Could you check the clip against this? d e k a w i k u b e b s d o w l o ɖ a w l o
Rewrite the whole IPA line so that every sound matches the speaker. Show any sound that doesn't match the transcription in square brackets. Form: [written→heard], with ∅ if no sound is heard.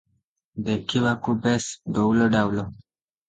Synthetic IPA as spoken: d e k [a→i] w [i→a] k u b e [b→∅] s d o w l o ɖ a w l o

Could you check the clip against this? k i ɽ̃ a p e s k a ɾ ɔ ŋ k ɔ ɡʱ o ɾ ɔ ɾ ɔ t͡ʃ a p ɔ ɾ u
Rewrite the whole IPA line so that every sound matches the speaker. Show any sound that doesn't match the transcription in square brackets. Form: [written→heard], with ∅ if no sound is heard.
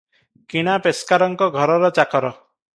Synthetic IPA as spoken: k i ɽ̃ a p e s k a ɾ ɔ ŋ k ɔ ɡʱ [o→ɔ] ɾ ɔ ɾ ɔ t͡ʃ a [p→k] ɔ ɾ [u→ɔ]

